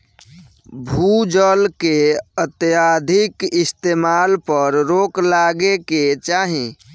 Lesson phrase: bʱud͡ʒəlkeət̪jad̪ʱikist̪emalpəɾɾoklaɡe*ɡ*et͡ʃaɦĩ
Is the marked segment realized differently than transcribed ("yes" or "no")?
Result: yes